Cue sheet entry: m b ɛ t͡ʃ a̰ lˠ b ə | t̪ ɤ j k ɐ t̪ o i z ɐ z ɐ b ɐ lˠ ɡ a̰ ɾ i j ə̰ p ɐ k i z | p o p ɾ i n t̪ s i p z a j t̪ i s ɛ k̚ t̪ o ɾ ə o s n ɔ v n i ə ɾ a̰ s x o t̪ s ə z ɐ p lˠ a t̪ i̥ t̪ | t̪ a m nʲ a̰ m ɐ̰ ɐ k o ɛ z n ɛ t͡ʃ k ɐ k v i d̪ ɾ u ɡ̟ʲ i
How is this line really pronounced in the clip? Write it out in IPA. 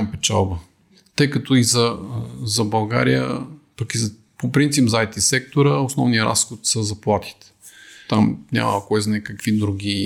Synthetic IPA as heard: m p ɛ t͡ʃ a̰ lˠ b ə | t̪ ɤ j k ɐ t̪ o i z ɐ z ɐ b ɐ lˠ ɡ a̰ ɾ i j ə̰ p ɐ k i z | p o p ɾ i n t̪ s i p z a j t̪ i s ɛ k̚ t̪ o ɾ ə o s n ɔ v n i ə ɾ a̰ s x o t̪ s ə z ɐ p lˠ a t̪ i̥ t̪ | t̪ a m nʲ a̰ m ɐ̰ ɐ k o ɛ z n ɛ k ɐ k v i d̪ ɾ u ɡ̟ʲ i